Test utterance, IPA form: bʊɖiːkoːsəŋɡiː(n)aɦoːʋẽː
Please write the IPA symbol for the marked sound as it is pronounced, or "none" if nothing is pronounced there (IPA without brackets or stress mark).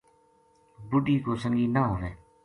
n